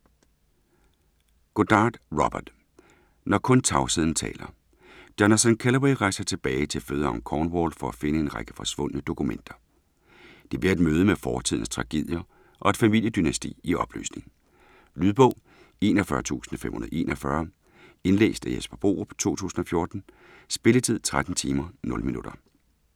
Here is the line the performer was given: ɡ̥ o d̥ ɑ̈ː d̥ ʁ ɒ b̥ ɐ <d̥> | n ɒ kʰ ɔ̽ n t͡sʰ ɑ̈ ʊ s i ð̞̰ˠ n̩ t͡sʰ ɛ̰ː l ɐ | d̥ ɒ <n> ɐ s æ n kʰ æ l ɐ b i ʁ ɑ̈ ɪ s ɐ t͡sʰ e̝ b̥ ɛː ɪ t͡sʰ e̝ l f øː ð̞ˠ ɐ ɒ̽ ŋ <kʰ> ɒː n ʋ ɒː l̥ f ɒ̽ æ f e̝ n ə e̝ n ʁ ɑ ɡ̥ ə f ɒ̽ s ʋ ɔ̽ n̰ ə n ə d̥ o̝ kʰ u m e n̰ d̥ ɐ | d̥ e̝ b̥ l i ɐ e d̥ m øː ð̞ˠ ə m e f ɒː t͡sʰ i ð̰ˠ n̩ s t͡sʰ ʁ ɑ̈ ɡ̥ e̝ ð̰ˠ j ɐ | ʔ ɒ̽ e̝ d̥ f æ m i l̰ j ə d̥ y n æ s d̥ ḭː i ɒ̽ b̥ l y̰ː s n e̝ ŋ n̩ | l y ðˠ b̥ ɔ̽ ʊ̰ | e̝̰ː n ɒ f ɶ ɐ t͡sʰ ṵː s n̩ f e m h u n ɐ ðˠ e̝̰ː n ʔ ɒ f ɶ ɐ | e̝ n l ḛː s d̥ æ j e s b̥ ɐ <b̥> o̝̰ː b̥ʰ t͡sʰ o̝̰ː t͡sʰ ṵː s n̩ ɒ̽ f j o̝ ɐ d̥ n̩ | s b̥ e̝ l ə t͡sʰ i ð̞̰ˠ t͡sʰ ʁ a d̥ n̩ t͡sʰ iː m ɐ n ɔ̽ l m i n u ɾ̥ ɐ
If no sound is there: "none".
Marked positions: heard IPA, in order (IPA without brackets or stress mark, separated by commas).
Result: d̥, n, kʰ, b̥